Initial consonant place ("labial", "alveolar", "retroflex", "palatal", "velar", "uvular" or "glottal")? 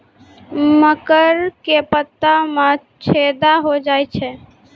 labial